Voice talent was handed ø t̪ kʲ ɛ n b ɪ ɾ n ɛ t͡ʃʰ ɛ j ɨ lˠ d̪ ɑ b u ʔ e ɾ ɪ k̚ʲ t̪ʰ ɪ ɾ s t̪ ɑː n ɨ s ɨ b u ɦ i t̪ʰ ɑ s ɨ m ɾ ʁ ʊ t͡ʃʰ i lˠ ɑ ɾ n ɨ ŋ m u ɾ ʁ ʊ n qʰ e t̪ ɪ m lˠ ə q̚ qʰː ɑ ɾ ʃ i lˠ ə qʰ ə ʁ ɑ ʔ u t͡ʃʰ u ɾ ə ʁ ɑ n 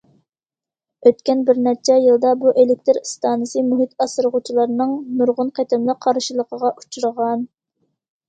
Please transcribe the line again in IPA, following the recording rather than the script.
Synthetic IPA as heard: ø t̪ kʲ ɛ n b ɪ ɾ n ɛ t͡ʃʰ ɛ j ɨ lˠ d̪ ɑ b u ʔ e l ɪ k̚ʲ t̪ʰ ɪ ɾ s t̪ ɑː n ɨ s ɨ m u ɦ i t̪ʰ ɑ s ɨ ɾ ʁ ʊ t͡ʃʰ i lˠ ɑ ɾ n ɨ ŋ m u ɾ ʁ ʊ n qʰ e t̪ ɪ m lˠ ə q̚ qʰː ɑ ɾ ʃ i lˠ ə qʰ ə ʁ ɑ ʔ u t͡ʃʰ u ɾ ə ʁ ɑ n